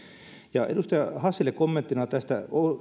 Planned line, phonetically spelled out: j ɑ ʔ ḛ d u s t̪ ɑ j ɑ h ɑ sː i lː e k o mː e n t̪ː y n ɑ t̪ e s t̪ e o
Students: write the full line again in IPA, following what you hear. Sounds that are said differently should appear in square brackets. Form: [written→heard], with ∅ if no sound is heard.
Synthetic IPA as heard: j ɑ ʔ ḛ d u s t̪ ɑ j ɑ h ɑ sː i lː e k o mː e n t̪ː [y→i] n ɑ t̪ [e→æ] s t̪ [e→æ] o